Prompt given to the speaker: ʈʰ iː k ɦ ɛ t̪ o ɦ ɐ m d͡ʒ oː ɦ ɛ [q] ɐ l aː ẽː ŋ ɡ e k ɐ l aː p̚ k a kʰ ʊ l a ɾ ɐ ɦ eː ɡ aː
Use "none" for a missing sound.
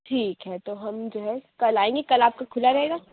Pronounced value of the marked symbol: k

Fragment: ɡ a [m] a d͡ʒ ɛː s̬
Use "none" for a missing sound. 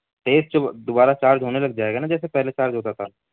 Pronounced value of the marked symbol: n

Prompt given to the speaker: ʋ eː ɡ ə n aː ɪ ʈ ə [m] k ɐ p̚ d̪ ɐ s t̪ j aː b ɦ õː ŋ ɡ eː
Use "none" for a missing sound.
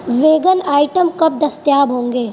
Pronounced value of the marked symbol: m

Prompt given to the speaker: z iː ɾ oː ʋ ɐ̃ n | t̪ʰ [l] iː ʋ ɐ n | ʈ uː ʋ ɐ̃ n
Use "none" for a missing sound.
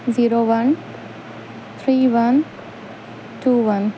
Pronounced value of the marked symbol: ɾ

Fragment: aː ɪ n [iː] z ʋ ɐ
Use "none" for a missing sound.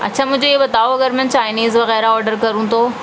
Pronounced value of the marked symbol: iː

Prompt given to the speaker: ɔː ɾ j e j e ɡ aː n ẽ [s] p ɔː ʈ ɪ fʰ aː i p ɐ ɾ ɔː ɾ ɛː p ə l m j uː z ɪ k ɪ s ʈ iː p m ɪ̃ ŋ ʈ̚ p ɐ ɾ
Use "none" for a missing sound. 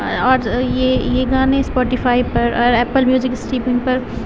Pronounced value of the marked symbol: s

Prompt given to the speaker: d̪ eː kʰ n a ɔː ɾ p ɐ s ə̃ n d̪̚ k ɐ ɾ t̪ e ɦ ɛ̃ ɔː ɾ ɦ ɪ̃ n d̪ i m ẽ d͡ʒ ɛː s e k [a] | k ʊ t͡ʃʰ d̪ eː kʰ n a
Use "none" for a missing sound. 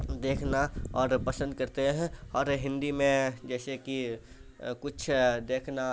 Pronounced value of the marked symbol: i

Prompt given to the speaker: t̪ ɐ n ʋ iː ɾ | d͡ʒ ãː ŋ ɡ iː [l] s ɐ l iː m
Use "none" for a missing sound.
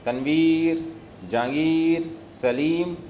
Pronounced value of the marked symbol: ɾ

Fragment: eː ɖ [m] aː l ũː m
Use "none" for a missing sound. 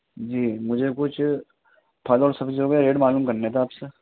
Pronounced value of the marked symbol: m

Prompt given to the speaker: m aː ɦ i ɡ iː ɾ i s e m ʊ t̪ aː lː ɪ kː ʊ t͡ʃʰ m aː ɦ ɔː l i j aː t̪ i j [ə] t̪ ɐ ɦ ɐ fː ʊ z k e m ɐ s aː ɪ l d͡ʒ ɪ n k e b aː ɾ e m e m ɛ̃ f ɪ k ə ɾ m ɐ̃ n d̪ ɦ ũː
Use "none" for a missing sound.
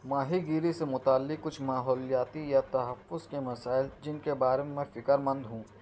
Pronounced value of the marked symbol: a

